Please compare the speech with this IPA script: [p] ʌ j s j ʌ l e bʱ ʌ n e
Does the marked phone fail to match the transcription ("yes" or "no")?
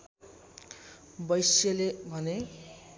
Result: yes